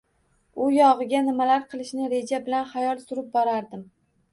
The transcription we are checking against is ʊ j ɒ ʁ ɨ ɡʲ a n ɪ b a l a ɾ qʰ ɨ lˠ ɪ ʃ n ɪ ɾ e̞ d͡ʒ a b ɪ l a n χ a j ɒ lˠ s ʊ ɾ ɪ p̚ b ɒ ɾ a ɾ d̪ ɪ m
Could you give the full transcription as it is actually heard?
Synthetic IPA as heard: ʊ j ɒ ʁ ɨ ɡʲ a n ɪ m a l a ɾ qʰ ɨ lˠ ɪ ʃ n ɪ ɾ e̞ d͡ʒ a b ɪ l a n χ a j ɒ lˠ s ʊ ɾ ɪ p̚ b ɒ ɾ a ɾ d̪ ɪ m